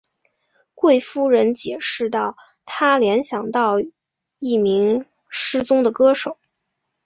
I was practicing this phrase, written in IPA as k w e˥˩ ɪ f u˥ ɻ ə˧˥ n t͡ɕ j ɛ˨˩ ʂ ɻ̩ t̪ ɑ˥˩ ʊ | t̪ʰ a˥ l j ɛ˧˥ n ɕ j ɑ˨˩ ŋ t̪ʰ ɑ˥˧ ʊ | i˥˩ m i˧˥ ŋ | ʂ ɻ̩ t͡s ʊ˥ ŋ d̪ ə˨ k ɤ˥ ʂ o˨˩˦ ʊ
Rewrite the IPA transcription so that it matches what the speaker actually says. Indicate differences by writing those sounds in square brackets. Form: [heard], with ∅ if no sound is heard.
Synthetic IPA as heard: k w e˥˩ ɪ f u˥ ɻ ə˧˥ n t͡ɕ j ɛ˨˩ ʂ ɻ̩ t̪ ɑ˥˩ ʊ | t̪ʰ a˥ l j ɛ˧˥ n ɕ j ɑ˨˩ ŋ [t̪] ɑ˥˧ ʊ | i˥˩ m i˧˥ ŋ | ʂ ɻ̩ t͡s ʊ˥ ŋ d̪ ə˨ k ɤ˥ ʂ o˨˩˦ ʊ